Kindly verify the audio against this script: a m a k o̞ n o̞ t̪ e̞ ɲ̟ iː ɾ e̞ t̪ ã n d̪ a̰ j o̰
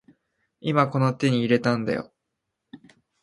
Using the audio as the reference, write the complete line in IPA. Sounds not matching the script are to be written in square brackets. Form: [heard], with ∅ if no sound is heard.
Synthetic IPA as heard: [i] m a k o̞ n o̞ t̪ e̞ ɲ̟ iː ɾ e̞ t̪ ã n d̪ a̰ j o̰